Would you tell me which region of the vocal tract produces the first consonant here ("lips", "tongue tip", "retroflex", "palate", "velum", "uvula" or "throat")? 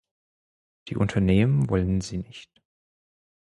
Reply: tongue tip